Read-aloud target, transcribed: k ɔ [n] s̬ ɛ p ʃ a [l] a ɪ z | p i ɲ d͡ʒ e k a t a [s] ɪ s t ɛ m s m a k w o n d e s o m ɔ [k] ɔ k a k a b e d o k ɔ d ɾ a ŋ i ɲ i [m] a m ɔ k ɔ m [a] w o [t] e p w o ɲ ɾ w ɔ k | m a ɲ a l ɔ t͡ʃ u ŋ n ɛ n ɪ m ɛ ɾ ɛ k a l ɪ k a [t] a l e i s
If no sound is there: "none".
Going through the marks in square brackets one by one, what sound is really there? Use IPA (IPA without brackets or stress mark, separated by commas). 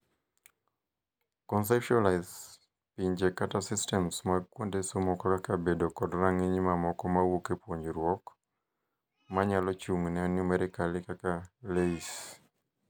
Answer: n, l, s, k, m, a, k, k